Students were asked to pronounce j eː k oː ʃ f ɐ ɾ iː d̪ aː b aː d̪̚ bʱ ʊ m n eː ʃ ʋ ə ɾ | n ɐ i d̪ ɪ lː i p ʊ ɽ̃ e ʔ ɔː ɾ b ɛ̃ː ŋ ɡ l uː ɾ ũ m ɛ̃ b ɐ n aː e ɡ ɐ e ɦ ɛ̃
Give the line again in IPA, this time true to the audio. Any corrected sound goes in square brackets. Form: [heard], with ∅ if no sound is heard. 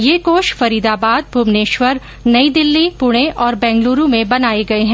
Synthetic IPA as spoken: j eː k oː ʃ f ɐ ɾ iː d̪ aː b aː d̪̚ bʱ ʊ m n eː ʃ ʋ ə ɾ | n ɐ i d̪ ɪ lː i p ʊ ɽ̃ e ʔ ɔː ɾ b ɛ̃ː ŋ ɡ l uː ɾ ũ m [ẽ] b ɐ n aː e ɡ ɐ e ɦ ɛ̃